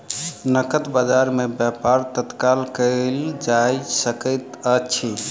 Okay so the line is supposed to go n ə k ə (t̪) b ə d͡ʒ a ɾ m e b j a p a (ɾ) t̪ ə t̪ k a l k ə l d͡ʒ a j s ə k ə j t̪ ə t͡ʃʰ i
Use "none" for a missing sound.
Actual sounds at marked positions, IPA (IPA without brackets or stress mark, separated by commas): t̪, ɾ